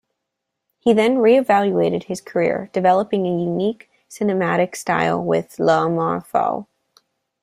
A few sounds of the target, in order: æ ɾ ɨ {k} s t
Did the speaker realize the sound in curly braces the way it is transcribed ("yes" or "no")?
yes